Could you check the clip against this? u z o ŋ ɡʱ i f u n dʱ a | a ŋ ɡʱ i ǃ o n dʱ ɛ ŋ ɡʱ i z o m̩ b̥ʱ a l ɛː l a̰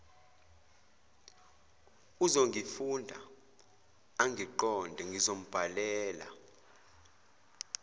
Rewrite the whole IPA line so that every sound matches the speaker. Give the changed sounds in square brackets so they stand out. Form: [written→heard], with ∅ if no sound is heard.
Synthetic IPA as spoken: u z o ŋ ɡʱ i f u n dʱ a | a ŋ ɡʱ i ǃ [o→ɔ] n dʱ ɛ ŋ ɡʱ i z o m̩ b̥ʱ a l ɛː l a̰